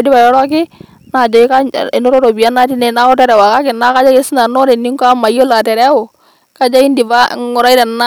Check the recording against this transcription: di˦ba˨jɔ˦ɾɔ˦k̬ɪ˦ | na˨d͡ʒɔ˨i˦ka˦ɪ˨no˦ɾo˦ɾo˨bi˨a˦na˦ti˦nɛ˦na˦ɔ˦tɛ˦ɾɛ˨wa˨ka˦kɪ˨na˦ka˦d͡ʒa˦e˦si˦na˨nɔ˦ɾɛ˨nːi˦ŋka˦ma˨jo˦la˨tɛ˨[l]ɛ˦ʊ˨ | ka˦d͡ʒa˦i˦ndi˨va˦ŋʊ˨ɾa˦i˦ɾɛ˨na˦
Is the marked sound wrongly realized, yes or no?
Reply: yes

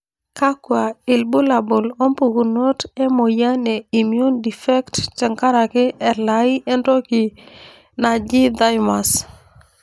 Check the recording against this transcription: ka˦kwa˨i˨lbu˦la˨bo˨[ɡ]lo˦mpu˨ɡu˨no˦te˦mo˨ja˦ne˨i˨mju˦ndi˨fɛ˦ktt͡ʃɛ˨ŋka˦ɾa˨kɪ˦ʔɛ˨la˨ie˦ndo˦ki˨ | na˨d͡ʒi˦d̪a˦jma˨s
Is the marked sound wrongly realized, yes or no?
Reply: yes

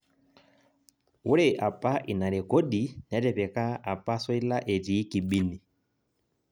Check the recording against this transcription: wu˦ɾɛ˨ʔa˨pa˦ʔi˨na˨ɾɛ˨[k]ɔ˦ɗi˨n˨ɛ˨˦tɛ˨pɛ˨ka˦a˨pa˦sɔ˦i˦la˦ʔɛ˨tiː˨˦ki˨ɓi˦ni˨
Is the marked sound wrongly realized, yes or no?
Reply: no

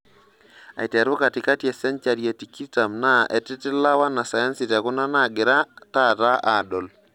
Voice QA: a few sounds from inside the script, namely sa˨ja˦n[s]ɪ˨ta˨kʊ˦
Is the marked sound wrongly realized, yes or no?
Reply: no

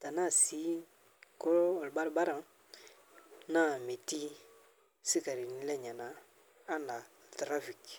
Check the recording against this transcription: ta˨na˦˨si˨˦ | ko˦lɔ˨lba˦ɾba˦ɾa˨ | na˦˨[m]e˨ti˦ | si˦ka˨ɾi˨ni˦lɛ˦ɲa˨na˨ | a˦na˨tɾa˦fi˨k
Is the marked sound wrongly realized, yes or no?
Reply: no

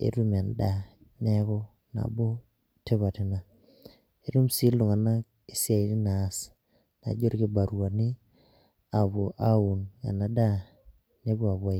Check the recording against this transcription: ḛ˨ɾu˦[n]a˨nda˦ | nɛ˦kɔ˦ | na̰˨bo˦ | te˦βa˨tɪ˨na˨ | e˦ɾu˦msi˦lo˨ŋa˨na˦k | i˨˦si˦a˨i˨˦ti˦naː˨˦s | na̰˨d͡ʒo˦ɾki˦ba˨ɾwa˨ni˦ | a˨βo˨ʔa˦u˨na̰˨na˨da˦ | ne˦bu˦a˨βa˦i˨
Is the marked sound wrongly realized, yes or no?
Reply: yes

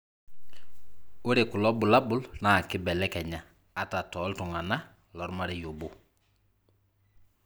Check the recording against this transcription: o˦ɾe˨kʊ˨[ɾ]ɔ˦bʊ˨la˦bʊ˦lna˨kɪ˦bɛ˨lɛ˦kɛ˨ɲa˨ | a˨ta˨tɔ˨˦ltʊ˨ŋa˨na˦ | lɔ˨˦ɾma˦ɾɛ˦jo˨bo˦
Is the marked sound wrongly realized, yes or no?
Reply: yes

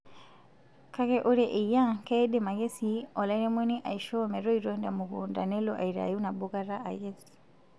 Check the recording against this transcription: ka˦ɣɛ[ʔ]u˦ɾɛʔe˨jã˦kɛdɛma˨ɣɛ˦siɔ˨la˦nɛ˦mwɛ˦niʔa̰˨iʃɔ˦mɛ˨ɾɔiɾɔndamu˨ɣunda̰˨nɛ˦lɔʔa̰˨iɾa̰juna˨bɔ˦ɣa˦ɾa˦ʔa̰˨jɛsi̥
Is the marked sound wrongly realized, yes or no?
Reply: no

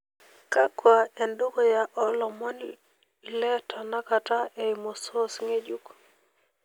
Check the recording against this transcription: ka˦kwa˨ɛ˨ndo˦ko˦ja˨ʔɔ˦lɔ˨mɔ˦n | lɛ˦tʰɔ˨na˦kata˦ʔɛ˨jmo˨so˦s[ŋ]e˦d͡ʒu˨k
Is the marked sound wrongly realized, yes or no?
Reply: no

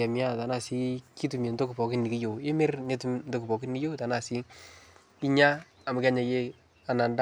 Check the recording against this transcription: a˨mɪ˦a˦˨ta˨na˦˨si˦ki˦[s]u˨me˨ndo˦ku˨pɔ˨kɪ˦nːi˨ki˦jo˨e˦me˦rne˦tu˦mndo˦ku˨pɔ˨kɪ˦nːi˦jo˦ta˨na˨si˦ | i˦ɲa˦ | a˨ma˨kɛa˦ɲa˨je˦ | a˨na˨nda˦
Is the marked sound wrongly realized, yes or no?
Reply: yes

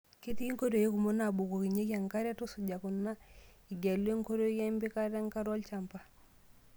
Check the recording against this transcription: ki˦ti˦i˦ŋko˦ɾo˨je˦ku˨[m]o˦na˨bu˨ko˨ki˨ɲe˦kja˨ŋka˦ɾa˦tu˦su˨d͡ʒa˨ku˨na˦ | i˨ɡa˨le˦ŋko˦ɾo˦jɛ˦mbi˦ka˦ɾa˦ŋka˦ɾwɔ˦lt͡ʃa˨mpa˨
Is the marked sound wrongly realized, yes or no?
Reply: no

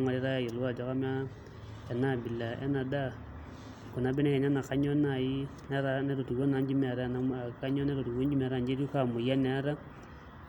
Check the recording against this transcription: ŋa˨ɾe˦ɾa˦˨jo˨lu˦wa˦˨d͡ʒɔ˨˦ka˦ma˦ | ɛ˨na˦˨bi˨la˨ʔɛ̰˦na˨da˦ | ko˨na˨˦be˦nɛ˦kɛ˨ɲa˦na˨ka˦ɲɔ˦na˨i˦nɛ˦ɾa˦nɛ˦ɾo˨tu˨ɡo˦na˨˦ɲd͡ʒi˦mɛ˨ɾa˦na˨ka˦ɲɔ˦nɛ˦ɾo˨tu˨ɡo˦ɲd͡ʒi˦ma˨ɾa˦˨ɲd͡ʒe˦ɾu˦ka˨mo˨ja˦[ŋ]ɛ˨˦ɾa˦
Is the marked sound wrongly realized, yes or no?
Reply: yes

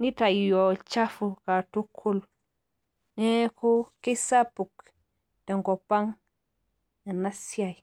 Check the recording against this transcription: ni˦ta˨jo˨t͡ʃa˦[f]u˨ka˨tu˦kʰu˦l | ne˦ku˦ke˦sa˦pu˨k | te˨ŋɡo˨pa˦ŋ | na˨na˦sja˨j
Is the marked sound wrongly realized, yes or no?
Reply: no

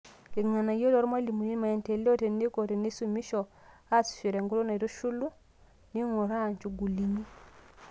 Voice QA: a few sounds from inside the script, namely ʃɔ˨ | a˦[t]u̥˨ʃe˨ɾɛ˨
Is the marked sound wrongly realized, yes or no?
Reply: yes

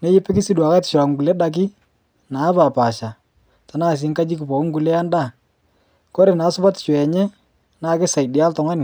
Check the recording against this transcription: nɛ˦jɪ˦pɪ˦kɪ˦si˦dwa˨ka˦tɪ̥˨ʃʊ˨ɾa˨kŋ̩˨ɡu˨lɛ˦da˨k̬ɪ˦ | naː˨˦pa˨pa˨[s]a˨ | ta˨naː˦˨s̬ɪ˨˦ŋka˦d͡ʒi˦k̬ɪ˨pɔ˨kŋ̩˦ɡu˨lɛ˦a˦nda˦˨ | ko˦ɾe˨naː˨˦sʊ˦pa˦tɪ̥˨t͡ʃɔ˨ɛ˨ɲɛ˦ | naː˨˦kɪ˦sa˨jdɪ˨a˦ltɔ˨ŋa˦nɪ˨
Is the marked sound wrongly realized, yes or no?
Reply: yes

